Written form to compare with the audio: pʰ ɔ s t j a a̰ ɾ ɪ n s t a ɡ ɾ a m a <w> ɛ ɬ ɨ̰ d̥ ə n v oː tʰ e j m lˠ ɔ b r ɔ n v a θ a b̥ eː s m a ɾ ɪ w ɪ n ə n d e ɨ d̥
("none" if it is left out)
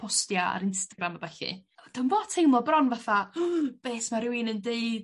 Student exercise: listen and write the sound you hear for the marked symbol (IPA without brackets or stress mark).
b